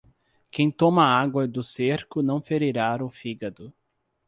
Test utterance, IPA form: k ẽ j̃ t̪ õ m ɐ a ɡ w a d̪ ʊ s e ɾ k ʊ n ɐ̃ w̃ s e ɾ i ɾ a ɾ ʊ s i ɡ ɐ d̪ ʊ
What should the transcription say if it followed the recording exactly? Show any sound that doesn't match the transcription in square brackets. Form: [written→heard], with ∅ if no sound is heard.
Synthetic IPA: k ẽ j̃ t̪ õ m ɐ a ɡ w [a→ɐ] d̪ ʊ s e ɾ k ʊ n ɐ̃ w̃ [s→f] e ɾ i ɾ a ɾ ʊ [s→f] i ɡ ɐ d̪ ʊ